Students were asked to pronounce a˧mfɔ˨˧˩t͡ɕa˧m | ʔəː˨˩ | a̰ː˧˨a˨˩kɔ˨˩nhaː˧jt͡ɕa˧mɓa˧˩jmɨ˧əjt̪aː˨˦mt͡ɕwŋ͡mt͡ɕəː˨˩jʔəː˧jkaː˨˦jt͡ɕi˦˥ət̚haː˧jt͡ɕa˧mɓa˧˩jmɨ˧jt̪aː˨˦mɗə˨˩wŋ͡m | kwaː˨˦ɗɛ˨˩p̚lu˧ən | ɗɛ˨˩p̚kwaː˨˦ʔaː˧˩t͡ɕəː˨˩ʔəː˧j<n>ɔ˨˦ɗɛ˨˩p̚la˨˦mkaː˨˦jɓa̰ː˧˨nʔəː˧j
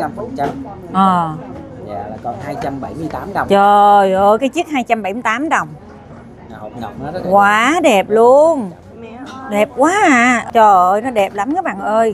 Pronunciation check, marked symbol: correct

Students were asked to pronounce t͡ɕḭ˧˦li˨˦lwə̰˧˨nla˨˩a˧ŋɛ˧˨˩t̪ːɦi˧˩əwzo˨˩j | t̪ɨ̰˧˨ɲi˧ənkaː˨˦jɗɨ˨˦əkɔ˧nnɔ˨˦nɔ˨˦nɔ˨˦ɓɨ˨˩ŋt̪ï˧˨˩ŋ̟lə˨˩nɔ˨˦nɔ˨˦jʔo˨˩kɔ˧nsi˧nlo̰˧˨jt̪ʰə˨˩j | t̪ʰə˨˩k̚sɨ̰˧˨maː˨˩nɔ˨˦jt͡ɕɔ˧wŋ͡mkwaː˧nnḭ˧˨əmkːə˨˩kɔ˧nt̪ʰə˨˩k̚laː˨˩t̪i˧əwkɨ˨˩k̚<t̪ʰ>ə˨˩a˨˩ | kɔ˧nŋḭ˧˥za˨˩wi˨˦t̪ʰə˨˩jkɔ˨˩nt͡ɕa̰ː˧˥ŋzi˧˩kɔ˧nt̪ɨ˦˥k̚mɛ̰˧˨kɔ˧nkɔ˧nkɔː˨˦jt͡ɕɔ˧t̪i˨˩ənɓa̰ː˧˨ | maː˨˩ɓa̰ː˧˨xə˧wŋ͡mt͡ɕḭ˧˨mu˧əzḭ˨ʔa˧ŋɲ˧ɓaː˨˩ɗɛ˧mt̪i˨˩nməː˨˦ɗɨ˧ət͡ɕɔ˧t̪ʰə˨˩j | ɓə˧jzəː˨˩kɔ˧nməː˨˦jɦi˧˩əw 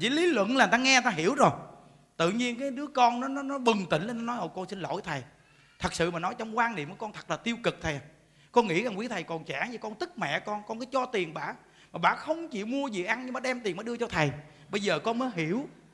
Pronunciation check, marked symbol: correct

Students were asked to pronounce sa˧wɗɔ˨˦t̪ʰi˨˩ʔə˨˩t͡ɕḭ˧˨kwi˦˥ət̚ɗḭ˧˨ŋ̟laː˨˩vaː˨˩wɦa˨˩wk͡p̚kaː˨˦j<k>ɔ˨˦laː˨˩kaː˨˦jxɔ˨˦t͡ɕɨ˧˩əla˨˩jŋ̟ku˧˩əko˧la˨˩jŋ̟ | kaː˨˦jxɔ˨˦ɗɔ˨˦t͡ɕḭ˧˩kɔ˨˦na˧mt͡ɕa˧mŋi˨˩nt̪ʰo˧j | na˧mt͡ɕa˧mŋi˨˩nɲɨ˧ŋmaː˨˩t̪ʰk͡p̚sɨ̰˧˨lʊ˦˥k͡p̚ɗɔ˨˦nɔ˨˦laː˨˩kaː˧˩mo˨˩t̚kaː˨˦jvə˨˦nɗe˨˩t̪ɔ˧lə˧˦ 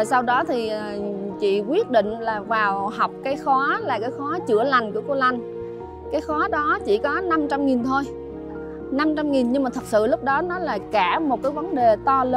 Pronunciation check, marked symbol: incorrect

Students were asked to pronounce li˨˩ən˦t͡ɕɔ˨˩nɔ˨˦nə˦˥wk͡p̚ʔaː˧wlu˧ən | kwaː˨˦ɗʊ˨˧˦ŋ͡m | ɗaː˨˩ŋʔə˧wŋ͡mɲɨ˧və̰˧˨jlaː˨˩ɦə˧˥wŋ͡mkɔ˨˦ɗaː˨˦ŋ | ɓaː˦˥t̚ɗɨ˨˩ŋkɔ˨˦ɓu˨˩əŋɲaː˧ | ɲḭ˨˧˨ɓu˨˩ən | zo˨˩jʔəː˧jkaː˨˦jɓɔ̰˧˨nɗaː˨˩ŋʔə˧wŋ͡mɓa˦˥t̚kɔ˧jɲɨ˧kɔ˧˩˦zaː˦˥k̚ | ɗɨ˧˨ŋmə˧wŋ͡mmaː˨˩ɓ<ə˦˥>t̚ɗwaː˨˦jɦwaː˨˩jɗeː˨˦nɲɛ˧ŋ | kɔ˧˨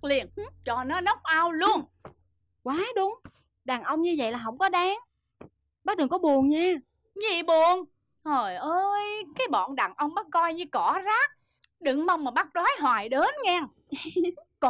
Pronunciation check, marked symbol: incorrect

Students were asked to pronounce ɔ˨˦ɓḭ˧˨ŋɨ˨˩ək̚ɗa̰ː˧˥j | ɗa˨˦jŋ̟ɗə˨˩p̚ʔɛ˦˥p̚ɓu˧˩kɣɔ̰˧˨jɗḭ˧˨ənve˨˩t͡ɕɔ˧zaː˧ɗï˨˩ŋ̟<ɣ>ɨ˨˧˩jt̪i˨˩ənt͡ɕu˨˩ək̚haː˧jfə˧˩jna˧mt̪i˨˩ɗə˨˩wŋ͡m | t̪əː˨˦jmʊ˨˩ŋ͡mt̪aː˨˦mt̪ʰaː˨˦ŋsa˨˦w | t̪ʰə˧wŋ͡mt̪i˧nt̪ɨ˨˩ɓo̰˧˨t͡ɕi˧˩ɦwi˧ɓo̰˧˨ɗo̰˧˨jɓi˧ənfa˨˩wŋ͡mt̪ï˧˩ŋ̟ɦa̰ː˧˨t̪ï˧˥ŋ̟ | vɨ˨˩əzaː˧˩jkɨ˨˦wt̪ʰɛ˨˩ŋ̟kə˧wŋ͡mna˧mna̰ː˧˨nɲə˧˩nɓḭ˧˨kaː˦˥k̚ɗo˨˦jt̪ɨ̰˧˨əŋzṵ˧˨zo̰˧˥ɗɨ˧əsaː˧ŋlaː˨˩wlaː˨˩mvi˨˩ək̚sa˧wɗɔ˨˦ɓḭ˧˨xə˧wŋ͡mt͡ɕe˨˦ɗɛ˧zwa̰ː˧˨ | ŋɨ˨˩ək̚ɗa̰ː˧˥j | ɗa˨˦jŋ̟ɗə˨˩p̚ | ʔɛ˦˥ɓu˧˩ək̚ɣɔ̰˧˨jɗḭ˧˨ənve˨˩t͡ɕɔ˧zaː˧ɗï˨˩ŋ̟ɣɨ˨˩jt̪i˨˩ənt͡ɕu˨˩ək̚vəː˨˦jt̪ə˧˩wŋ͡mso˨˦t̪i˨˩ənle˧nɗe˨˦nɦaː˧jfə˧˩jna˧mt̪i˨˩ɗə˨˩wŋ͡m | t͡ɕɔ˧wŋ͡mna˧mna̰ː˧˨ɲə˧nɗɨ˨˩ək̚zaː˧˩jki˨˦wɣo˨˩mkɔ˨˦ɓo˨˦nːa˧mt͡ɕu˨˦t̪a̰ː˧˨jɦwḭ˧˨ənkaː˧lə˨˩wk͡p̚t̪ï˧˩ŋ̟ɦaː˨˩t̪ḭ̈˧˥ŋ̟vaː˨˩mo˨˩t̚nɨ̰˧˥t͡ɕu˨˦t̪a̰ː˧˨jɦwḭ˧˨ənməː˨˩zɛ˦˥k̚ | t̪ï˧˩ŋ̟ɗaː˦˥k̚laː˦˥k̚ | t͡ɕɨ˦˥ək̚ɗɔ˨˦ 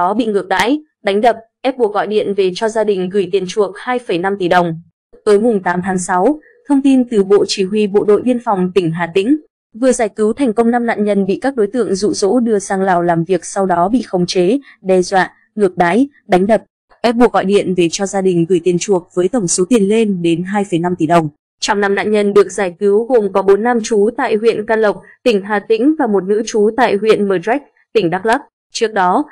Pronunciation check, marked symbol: correct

